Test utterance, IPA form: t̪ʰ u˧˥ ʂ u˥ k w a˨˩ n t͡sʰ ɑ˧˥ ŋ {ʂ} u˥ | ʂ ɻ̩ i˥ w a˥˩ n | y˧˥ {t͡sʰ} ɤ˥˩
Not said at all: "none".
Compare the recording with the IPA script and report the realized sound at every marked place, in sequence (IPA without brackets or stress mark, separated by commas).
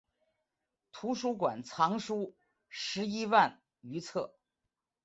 ʂ, t͡sʰ